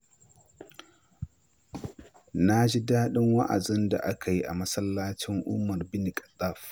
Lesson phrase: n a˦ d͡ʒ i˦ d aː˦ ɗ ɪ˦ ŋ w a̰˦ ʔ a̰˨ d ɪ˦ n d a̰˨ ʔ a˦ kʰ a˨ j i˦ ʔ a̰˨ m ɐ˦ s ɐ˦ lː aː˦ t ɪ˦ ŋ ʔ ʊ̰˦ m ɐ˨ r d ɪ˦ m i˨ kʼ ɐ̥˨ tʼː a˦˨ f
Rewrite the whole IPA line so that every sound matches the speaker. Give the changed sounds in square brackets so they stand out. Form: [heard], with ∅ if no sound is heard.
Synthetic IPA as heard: n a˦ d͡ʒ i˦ d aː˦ ɗ ɪ˦ ŋ w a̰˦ ʔ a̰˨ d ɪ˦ n d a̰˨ ʔ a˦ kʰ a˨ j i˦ ʔ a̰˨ m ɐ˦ s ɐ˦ lː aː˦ [t͡ʃ] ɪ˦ ŋ ʔ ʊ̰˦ m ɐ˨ r [b] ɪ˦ [n] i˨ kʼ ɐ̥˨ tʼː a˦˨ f